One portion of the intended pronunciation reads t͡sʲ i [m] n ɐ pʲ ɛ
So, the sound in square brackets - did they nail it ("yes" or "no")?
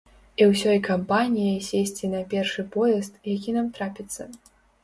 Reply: no